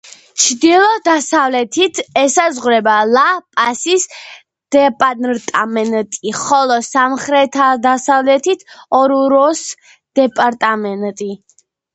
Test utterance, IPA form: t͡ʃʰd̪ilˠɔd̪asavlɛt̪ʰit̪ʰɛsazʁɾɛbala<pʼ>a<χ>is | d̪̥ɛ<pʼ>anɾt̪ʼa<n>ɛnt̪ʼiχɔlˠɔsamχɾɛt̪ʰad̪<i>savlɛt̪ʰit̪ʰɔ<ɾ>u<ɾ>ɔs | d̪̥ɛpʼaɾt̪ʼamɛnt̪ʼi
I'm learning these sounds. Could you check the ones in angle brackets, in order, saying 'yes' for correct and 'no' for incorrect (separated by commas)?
yes, no, yes, no, no, yes, yes